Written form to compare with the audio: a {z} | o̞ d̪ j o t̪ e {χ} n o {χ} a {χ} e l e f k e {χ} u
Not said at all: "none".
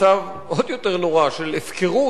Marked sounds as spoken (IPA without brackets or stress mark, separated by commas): v, ʁ, ʁ, ʃ, ʁ